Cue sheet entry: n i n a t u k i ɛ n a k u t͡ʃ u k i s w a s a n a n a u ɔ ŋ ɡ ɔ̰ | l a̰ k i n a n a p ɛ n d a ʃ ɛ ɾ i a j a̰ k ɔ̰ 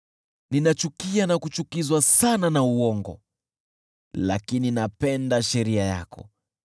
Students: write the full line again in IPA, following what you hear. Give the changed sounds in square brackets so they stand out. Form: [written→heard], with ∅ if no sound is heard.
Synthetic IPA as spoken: n i n a [t→t͡ʃ] u k i [ɛ→a] n a k u t͡ʃ u k i [s→z] w a s a n a n a u ɔ ŋ ɡ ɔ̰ | l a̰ k i n [a→i] n a p ɛ n d a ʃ ɛ ɾ i a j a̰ k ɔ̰